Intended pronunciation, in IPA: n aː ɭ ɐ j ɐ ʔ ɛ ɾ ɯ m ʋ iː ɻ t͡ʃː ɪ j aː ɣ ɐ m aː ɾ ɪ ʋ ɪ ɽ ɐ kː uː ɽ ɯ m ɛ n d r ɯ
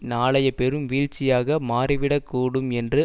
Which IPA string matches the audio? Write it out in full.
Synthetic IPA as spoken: n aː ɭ ɐ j ɐ p ɛ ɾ ɯ m ʋ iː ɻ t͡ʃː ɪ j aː ɣ ɐ m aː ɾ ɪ ʋ ɪ ɽ ɐ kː uː ɽ ɯ m ɛ n d r ɯ